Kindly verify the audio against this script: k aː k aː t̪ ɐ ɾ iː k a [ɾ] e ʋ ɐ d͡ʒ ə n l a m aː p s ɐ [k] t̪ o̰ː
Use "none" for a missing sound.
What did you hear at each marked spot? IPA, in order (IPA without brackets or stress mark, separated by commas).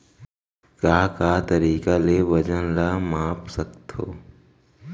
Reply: l, k